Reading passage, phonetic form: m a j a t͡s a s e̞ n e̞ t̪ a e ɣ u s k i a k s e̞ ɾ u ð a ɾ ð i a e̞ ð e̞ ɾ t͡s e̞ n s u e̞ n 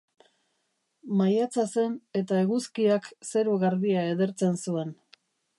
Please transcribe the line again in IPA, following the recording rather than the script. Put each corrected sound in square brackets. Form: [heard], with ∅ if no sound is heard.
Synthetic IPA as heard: m a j a t͡s a s e̞ n e̞ t̪ a e ɣ u s k i a k s e̞ ɾ u [ɣ] a ɾ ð i a e̞ ð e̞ ɾ t͡s e̞ n s u e̞ n